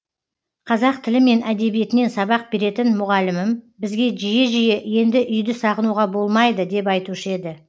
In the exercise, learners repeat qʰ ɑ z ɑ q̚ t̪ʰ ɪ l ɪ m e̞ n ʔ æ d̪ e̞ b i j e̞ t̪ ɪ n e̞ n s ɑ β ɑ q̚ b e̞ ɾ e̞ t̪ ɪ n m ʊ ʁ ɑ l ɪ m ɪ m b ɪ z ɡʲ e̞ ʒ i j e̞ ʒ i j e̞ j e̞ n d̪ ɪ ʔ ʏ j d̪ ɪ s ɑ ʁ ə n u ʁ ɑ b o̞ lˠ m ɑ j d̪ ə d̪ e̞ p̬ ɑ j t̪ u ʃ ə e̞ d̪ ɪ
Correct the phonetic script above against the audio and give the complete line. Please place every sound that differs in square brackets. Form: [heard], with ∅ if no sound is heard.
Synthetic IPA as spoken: qʰ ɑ z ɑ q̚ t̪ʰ ɪ l ɪ m e̞ n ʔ æ d̪ e̞ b i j e̞ t̪ ɪ n e̞ n s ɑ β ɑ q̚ b e̞ ɾ e̞ t̪ ɪ n m ʊ ʁ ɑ l ɪ m ɪ m b ɪ z ɡʲ e̞ ʒ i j e̞ ʒ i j e̞ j e̞ n d̪ ɪ ʔ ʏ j d̪ ɪ s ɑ ʁ ə n u ʁ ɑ b o̞ lˠ m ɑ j d̪ ə d̪ e̞ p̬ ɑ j t̪ u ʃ ə e̞ d̪ ɪ